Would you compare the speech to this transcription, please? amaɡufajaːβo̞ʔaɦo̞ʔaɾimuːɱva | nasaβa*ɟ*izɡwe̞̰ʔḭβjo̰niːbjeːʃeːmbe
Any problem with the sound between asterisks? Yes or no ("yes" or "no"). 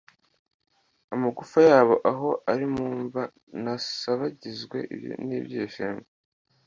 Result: no